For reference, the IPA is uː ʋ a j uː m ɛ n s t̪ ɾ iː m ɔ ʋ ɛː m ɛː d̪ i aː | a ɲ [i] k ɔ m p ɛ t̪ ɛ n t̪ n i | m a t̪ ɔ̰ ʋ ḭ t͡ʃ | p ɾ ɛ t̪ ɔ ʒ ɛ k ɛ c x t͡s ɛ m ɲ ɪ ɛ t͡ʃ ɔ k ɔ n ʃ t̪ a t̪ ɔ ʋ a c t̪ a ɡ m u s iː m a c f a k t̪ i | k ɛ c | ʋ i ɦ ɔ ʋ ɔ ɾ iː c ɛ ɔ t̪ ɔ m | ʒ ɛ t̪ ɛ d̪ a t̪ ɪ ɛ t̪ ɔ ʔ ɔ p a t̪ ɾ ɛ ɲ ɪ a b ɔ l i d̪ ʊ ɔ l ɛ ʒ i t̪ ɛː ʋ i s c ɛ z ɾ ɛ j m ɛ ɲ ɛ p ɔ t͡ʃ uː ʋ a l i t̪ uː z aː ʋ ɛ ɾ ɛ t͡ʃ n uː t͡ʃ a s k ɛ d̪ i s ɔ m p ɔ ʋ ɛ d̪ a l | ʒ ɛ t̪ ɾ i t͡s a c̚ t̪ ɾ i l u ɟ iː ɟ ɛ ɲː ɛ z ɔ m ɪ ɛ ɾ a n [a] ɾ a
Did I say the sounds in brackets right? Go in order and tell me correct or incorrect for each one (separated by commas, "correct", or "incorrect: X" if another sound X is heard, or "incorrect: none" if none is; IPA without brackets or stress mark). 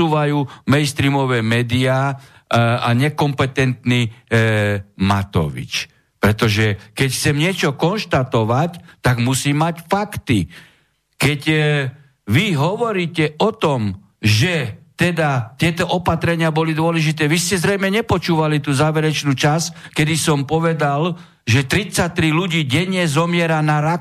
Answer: incorrect: ɛ, correct